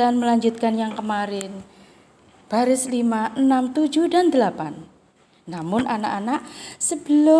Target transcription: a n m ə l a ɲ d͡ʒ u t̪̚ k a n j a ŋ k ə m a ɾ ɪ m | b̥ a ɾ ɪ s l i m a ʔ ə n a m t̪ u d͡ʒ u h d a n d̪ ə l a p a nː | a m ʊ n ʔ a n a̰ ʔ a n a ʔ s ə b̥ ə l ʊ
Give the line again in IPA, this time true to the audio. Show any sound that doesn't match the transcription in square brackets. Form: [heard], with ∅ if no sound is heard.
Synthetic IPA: a n m ə l a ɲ d͡ʒ u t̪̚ k a n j a ŋ k ə m a ɾ ɪ [n] | b̥ a ɾ ɪ s l i m a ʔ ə n a m t̪ u d͡ʒ u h d a n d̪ ə l a p a nː | a m ʊ n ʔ a n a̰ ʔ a n a ʔ s ə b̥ ə l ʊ